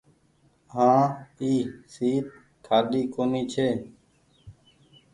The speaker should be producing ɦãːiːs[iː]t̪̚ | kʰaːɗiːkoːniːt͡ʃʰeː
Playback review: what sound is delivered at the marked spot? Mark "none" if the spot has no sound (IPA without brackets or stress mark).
iː